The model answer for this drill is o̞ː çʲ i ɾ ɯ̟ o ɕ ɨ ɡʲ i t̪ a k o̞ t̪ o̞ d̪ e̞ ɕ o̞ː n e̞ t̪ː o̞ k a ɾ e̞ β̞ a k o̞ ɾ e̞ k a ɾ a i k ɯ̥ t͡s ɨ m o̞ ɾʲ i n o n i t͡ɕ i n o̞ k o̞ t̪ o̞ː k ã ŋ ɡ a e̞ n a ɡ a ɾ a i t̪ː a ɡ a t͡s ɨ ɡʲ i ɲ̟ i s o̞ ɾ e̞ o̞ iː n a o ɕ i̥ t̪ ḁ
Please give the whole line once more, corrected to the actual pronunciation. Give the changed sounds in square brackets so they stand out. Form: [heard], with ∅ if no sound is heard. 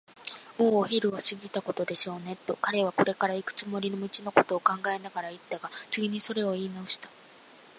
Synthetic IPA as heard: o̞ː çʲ i ɾ ɯ̟ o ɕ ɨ ɡʲ i t̪ a k o̞ t̪ o̞ d̪ e̞ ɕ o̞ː n e̞ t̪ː o̞ k a ɾ e̞ β̞ a k o̞ ɾ e̞ k a ɾ a i k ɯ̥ t͡s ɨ m o̞ ɾʲ i n o [m] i t͡ɕ i n o̞ k o̞ t̪ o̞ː k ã ŋ ɡ a e̞ n a ɡ a ɾ a i t̪ː a ɡ a t͡s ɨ ɡʲ i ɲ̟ i s o̞ ɾ e̞ o̞ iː n a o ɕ i̥ t̪ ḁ